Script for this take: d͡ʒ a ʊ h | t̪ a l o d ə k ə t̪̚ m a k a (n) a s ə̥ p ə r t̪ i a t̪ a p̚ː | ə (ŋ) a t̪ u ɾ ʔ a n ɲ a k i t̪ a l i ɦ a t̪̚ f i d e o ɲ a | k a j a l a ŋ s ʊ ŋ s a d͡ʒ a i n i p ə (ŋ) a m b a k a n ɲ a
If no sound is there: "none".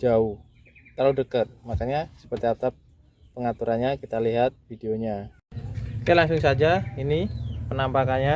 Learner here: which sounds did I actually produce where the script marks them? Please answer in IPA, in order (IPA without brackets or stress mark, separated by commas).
ɲ, ŋ, n